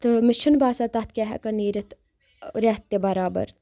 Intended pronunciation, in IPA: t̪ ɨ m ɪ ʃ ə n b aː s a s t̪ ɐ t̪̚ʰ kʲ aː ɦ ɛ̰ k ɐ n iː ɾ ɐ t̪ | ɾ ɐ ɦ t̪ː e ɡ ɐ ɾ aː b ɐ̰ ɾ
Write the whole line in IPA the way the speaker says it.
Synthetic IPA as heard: t̪ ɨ m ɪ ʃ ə n b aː s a t̪ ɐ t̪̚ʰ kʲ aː ɦ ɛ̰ k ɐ n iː ɾ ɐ t̪ | ɾ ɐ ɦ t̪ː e b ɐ ɾ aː b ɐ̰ ɾ